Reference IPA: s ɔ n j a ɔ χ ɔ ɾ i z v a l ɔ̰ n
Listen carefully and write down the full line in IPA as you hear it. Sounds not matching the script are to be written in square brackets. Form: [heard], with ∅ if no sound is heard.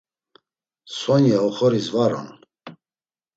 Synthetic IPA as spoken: s ɔ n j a ɔ χ ɔ ɾ i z v a [ɾ] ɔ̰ n